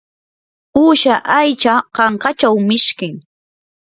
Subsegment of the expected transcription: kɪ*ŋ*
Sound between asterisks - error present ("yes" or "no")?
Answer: no